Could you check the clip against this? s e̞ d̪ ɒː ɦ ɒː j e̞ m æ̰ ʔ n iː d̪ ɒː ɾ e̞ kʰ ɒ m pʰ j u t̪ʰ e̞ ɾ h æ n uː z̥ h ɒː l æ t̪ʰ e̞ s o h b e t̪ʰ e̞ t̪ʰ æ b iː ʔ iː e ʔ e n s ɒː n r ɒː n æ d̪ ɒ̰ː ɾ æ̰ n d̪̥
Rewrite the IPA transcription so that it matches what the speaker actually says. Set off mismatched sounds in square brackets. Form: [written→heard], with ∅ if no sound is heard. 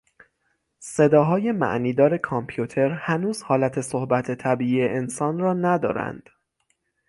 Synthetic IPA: s e̞ d̪ ɒː ɦ ɒː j e̞ m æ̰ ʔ n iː d̪ ɒː ɾ e̞ kʰ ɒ m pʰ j u t̪ʰ e̞ ɾ h æ n uː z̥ h ɒː l æ t̪ʰ e̞ s o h b [e→æ] t̪ʰ e̞ t̪ʰ æ b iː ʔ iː e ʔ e n s ɒː n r ɒː n æ d̪ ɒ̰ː ɾ æ̰ n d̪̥